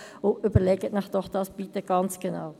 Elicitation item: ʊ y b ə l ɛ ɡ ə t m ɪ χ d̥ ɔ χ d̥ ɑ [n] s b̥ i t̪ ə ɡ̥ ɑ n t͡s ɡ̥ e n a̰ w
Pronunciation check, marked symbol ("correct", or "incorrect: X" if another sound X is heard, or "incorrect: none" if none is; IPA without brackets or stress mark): incorrect: none